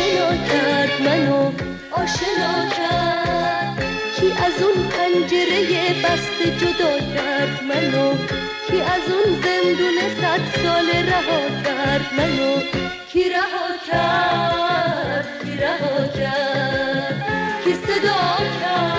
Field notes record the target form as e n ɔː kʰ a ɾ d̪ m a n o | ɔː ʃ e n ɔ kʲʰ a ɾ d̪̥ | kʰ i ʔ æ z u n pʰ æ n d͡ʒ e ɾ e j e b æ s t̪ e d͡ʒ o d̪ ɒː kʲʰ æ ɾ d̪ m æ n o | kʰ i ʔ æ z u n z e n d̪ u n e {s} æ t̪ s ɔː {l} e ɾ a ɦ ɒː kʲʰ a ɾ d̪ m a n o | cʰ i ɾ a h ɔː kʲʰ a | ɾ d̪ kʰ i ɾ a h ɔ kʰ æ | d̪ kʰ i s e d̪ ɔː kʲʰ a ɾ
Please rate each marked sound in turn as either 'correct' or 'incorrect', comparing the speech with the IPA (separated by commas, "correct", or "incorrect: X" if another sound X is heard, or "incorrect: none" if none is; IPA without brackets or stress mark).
correct, correct